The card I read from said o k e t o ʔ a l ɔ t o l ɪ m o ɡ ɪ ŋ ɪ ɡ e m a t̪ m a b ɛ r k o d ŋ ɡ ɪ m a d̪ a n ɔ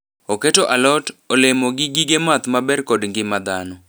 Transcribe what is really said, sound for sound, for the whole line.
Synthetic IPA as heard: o k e t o ʔ a l ɔ t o l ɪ m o ɡ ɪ ɡ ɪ ɡ e m a t̪ m a b ɛ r k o d ŋ ɡ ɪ m a d̪ a n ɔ